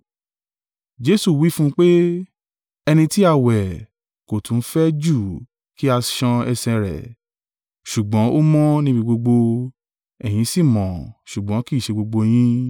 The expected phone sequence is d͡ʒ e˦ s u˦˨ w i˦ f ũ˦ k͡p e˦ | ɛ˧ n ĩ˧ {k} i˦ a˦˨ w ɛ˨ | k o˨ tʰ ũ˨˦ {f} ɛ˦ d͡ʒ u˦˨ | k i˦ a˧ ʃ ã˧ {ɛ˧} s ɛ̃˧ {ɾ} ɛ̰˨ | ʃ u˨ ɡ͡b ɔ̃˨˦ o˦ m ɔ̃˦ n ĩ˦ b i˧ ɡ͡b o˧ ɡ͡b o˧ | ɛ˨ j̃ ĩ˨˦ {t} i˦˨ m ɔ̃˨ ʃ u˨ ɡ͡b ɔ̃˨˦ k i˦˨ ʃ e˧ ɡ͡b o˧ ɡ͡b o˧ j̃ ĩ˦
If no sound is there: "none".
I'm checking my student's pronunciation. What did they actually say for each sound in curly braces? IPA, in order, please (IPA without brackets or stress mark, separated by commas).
t, f, ɛ˧, ɾ, s